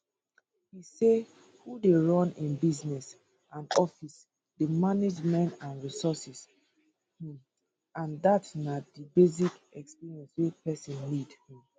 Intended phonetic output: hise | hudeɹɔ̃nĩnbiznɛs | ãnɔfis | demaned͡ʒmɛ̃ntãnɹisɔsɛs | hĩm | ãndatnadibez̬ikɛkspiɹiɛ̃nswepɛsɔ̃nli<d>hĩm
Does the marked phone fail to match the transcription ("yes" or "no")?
no